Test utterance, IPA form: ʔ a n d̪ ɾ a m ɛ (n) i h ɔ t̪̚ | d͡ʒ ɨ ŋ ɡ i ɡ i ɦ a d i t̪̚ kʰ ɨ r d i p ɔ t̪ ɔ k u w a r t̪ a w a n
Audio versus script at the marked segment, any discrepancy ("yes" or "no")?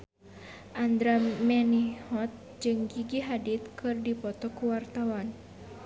no